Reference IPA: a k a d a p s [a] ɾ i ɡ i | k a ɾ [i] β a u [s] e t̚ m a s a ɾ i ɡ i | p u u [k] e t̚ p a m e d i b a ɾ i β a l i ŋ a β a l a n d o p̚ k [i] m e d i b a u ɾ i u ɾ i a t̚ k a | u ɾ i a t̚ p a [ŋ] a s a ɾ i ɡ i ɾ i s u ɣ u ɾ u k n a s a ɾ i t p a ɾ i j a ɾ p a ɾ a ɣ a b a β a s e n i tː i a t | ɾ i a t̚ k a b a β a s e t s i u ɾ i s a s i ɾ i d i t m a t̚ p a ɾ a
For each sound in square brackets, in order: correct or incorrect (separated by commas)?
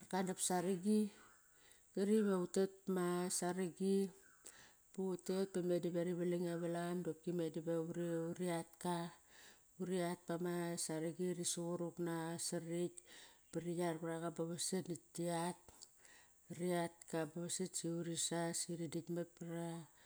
correct, correct, incorrect, incorrect, correct, incorrect